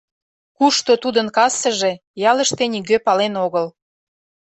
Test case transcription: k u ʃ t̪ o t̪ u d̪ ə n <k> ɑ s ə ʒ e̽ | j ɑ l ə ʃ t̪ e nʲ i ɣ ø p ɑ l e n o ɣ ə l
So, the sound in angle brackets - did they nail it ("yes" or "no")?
yes